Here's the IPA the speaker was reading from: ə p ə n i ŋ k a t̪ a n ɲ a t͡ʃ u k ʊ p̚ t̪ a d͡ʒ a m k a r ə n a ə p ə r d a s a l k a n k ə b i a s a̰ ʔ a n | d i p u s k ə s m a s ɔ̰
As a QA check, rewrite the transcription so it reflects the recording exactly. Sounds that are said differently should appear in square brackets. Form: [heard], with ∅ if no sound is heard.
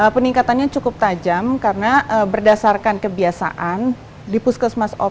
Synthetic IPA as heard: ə p ə n i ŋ k a t̪ a n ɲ a t͡ʃ u k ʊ p̚ t̪ a d͡ʒ a m k a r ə n a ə [b] ə r d a s a [r] k a n k ə b i a s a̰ ʔ a n | d i p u s k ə s m a s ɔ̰